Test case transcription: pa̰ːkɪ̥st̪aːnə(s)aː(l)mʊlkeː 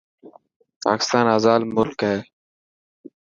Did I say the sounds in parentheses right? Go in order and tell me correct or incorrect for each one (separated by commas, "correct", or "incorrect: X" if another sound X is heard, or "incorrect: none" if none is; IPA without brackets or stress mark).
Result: incorrect: z, correct